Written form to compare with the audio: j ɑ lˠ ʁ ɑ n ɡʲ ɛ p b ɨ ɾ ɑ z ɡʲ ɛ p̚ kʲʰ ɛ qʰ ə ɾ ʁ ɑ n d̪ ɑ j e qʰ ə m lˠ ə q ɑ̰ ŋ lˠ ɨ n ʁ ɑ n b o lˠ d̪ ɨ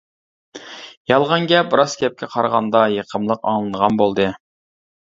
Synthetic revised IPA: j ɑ lˠ ʁ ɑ n ɡʲ ɛ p b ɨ ɾ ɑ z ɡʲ ɛ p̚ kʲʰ ɛ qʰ ɑ ɾ ʁ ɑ n d̪ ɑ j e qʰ ə m lˠ ə q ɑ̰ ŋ lˠ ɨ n ʁ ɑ n b o lˠ d̪ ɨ